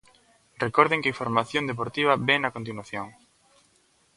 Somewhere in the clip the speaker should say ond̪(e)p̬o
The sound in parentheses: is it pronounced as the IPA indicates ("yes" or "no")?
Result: yes